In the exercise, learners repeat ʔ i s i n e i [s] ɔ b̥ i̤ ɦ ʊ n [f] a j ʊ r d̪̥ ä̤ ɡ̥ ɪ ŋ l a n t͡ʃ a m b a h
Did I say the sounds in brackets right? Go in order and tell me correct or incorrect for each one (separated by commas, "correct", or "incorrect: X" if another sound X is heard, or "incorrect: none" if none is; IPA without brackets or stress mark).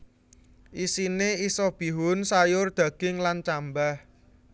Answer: correct, incorrect: s